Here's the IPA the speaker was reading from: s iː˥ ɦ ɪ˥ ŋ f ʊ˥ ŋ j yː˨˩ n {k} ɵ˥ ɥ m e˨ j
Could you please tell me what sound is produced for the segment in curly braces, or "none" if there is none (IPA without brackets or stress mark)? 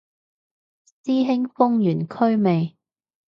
kʰ